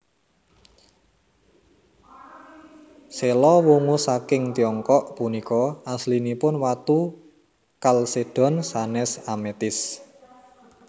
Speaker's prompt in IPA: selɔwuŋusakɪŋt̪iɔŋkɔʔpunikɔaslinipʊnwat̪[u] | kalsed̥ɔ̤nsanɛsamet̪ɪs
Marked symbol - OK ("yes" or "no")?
yes